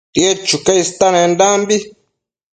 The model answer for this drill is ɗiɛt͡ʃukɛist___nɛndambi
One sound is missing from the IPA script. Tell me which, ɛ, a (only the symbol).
a